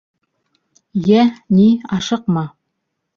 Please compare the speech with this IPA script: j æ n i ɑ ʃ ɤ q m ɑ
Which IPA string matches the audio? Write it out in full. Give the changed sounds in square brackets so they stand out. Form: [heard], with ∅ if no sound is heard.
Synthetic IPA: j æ n i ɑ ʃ ɤ q m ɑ